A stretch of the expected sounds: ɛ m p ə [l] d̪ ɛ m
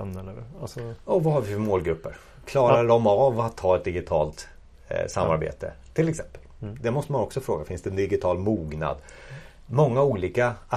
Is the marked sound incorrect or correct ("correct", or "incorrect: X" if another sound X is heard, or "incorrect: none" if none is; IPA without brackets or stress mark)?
correct